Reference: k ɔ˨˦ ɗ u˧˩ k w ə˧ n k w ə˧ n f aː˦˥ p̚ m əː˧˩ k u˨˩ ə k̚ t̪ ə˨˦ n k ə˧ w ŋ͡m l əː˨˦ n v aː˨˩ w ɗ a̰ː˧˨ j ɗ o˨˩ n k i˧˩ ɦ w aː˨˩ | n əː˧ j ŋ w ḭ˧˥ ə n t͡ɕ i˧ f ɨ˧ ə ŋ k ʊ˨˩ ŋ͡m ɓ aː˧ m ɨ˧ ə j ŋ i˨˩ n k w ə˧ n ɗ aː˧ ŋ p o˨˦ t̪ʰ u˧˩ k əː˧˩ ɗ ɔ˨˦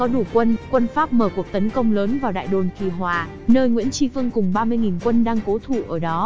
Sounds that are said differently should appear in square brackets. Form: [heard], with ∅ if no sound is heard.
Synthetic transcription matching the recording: k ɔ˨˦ ɗ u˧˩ k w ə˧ n k w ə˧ n f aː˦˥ p̚ m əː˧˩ k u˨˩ ə k̚ t̪ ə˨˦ n k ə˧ w ŋ͡m l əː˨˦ n v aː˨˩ w ɗ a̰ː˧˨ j ɗ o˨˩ n k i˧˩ ɦ w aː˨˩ | n əː˧ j ŋ w ḭ˧˥ ə n t͡ɕ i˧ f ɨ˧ ə ŋ k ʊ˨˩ ŋ͡m ɓ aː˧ m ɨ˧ ə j ŋ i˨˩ n k w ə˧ n ɗ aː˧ ŋ [k] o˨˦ t̪ʰ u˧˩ [ʔ] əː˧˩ ɗ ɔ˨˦

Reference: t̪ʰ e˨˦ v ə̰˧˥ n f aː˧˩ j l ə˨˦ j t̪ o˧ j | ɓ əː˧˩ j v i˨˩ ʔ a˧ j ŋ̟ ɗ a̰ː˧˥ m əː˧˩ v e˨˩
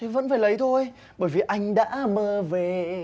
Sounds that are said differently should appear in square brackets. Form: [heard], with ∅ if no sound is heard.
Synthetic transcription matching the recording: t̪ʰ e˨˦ v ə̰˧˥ n f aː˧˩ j l ə˨˦ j [t̪ʰ] o˧ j | ɓ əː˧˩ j v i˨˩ ʔ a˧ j ŋ̟ ɗ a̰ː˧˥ m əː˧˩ v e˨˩

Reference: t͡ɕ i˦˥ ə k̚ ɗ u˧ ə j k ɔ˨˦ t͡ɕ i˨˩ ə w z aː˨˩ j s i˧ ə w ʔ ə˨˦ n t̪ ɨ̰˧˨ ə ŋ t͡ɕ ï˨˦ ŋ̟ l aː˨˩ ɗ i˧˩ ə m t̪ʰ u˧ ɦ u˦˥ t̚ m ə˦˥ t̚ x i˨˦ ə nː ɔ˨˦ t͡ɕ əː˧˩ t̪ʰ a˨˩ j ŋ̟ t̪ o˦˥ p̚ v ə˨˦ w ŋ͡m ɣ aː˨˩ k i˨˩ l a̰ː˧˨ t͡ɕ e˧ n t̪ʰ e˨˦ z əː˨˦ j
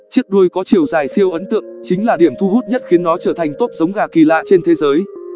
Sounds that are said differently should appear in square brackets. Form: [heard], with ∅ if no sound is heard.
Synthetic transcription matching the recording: t͡ɕ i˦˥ ə k̚ ɗ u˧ ə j k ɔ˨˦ t͡ɕ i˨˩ ə w z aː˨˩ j s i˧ ə w ʔ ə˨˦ n t̪ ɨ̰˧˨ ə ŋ t͡ɕ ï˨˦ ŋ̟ l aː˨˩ ɗ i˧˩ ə m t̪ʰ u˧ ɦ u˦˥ t̚ [ɲ] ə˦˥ t̚ x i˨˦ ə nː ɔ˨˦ t͡ɕ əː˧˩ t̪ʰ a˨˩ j ŋ̟ t̪ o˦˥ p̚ [z] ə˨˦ w ŋ͡m ɣ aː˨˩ k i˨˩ l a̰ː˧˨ t͡ɕ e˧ n t̪ʰ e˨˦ z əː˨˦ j

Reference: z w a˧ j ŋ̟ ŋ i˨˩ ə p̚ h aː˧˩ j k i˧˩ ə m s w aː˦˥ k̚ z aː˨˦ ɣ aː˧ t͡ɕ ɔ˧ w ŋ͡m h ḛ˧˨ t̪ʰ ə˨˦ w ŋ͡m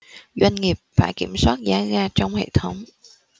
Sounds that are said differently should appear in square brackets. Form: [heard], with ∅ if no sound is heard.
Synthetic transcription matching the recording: z w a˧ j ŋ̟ ŋ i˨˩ ə p̚ [f] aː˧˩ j k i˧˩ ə m s w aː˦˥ [t̚] z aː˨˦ ɣ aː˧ t͡ɕ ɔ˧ w ŋ͡m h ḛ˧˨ t̪ʰ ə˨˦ w ŋ͡m

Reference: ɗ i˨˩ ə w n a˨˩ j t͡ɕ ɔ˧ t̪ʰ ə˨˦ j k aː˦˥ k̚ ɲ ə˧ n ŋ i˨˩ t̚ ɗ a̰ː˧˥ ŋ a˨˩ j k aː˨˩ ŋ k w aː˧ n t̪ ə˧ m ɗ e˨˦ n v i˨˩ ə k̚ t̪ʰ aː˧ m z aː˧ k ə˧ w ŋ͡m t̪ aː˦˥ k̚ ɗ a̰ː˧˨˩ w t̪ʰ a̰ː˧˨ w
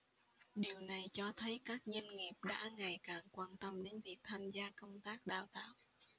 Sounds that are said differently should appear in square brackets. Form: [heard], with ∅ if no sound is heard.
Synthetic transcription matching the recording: ɗ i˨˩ ə w n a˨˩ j t͡ɕ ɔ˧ t̪ʰ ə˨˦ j k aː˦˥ k̚ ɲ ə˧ n ŋ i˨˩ [p̚] ɗ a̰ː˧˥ ŋ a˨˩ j k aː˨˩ ŋ k w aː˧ n t̪ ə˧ m ɗ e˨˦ n v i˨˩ ə k̚ t̪ʰ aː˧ m z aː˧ k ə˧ w ŋ͡m t̪ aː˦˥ k̚ ɗ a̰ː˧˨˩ w [t̪] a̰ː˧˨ w

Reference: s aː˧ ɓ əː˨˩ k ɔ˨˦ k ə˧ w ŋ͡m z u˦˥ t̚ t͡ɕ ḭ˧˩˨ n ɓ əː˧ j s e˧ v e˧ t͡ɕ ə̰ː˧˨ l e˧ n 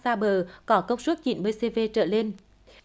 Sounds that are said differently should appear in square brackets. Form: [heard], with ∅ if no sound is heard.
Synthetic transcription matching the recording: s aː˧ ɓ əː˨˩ k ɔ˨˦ k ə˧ w ŋ͡m [s] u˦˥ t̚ t͡ɕ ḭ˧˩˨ n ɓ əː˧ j s e˧ v e˧ t͡ɕ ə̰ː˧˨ l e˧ n

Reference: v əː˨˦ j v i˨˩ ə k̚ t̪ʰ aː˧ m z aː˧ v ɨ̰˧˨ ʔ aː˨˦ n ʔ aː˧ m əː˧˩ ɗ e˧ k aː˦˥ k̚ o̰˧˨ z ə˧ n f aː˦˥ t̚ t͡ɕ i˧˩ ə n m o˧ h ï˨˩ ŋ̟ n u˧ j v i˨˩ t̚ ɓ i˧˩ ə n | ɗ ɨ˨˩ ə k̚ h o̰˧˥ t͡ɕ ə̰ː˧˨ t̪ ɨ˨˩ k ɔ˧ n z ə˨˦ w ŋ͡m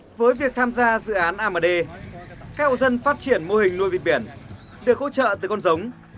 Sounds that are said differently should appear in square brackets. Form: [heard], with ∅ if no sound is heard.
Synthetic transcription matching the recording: v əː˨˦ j v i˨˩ ə k̚ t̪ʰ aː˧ m z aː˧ [z] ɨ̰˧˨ ʔ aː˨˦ n ʔ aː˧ m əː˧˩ ɗ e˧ k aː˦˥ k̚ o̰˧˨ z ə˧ n f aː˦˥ t̚ t͡ɕ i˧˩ ə n m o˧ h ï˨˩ ŋ̟ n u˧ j v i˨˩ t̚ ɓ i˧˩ ə n | ɗ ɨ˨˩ ə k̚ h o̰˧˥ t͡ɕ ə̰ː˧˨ t̪ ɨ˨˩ k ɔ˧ n z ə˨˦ w ŋ͡m

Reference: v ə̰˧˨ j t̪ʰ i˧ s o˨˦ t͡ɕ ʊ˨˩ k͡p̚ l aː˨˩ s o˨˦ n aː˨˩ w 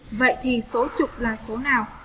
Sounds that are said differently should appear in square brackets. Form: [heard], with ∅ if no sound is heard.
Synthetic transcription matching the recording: v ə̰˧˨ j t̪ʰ [i˨˩] s o˨˦ t͡ɕ ʊ˨˩ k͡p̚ l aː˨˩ s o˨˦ n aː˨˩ w

